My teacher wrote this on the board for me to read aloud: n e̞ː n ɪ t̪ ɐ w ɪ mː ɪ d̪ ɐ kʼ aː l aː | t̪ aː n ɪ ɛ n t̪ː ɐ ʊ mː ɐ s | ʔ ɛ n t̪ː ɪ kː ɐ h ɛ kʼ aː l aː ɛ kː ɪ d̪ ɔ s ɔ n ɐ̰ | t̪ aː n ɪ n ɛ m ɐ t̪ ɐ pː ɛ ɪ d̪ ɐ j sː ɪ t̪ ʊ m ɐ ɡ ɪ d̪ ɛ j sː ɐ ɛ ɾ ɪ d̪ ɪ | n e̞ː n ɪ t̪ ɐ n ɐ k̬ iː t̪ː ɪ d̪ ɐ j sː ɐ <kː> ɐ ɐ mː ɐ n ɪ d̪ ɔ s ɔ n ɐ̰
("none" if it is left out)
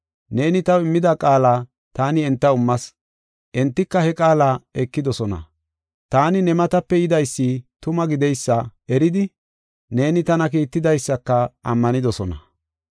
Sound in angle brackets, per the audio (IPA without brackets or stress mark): kː